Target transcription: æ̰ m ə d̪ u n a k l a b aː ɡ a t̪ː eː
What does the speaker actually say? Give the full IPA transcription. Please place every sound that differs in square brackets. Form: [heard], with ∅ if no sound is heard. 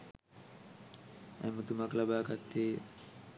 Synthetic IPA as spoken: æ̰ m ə [t̪] u [m] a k l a b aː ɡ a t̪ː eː